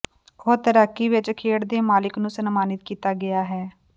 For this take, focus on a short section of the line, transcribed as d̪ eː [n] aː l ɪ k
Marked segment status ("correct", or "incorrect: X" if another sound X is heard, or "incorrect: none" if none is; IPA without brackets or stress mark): incorrect: m